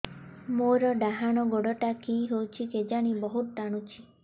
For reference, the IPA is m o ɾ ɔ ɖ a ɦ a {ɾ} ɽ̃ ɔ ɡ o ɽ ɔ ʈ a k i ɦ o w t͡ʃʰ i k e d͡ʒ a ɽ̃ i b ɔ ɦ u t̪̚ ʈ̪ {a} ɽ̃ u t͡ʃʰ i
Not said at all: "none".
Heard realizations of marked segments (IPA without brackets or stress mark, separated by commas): none, a